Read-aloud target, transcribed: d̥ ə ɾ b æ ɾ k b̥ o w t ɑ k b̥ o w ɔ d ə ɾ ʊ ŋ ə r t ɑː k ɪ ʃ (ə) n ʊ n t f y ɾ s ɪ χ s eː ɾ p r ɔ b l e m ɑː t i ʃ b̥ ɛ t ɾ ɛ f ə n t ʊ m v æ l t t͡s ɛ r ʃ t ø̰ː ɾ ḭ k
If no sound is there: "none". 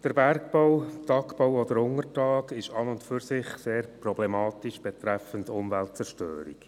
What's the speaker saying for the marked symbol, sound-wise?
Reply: ɑ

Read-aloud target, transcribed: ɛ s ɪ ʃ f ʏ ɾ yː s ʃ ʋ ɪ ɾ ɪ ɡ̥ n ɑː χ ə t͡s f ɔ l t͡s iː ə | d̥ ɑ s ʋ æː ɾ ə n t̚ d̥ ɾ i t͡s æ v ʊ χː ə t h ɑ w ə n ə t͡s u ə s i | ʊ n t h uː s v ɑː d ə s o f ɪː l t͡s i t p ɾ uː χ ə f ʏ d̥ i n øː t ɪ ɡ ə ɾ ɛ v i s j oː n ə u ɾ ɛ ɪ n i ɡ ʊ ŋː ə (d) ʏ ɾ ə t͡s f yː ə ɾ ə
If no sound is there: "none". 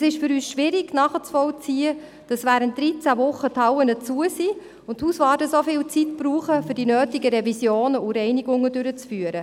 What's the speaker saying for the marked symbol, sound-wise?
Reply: d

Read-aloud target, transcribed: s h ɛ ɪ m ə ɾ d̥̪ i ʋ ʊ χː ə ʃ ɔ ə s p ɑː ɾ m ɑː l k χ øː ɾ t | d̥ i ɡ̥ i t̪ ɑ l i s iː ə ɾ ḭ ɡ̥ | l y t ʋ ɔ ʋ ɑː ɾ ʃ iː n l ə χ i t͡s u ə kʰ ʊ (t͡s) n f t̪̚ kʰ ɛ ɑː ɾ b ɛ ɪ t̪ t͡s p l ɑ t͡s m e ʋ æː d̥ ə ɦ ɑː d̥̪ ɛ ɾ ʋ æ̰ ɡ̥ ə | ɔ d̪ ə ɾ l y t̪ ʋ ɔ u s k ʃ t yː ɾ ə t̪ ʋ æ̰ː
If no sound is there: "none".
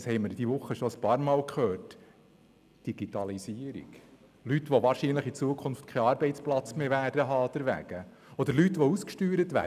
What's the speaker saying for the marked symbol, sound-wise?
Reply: none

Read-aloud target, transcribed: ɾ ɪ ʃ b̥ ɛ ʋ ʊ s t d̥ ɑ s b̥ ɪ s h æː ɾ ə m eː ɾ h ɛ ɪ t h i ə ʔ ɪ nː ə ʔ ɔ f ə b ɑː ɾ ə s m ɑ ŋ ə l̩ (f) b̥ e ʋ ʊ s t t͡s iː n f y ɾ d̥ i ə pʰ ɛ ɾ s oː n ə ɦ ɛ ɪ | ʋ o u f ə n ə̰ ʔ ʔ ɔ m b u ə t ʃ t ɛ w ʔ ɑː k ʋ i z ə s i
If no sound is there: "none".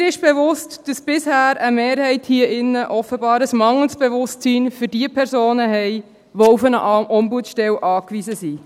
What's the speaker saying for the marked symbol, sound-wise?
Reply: s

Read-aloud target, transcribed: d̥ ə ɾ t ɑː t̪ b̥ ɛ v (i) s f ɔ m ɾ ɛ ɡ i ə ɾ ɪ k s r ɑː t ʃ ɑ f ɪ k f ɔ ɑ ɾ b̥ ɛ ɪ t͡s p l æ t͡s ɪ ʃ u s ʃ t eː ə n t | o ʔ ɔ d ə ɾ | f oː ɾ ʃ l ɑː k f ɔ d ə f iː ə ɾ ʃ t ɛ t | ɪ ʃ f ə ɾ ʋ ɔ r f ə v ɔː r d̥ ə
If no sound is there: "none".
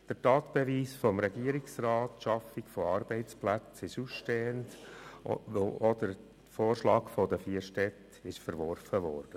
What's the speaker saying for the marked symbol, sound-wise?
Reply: iː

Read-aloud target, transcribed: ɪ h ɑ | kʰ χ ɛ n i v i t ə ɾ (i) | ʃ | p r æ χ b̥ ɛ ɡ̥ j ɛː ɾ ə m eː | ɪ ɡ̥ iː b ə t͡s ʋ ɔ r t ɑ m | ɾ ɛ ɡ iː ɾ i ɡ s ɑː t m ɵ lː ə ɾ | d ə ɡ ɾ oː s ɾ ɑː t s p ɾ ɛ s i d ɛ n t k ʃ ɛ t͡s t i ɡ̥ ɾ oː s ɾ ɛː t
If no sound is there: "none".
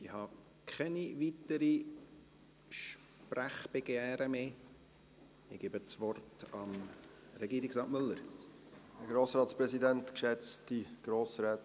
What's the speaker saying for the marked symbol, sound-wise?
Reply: i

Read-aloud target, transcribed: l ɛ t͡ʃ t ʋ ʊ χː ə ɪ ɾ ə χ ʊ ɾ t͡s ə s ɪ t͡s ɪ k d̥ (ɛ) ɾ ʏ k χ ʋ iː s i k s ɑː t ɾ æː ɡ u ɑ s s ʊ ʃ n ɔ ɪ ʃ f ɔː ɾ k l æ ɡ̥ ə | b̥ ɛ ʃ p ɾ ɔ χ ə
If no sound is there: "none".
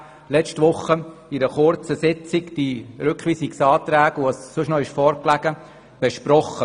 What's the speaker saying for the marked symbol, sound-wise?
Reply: i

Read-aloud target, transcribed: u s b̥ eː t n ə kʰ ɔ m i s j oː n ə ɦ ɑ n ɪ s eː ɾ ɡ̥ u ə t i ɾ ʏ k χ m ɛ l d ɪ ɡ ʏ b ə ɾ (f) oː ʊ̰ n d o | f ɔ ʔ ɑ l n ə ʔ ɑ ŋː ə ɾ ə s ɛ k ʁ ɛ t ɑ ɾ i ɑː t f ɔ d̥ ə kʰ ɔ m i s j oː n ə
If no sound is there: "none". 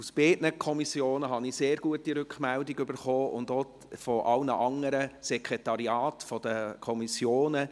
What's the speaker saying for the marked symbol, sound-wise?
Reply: χ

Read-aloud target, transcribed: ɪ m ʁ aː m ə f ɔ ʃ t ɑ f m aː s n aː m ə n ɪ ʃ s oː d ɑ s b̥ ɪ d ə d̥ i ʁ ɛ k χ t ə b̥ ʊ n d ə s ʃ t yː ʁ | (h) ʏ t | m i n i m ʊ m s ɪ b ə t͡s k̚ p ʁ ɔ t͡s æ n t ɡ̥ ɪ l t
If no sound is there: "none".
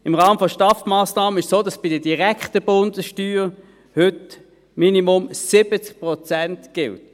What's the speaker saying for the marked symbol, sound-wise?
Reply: h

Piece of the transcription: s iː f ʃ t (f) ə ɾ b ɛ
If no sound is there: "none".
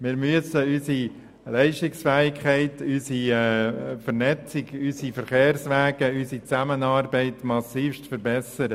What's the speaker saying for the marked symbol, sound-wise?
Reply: f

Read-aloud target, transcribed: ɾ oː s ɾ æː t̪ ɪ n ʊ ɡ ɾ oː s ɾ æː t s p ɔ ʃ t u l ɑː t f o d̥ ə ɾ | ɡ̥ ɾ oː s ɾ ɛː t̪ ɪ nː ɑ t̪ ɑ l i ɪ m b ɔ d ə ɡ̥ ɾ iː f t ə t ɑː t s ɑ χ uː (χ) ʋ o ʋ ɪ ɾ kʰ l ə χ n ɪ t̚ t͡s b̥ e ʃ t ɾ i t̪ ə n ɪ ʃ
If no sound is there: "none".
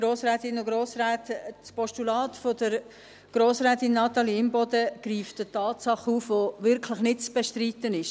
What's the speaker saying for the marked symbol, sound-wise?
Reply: f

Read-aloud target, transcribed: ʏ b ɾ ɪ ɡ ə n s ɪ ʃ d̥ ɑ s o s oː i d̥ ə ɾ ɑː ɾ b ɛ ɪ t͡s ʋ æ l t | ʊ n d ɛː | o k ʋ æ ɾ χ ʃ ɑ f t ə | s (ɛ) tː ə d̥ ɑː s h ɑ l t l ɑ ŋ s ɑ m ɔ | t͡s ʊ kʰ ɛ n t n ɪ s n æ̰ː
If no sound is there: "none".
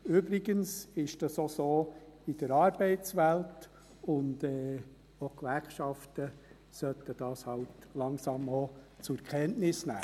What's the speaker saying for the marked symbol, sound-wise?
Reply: œ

